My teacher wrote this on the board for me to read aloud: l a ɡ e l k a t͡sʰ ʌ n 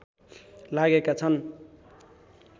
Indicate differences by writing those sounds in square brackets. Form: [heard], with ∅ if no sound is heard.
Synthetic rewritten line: l a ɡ e [∅] k a t͡sʰ ʌ n